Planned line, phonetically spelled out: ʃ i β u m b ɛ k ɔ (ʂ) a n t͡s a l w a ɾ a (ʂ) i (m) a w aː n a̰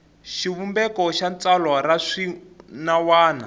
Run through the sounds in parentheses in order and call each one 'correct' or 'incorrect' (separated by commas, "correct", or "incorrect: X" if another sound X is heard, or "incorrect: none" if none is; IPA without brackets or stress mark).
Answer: incorrect: ʃ, correct, incorrect: n